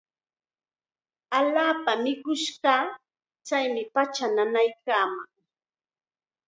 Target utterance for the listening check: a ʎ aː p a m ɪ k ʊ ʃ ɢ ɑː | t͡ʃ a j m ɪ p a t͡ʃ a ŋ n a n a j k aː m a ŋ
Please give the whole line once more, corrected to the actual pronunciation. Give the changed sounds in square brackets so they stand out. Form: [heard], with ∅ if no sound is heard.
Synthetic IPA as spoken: a ʎ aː p a m ɪ k ʊ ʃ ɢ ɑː | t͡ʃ a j m ɪ p a t͡ʃ a [∅] n a n a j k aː m a ŋ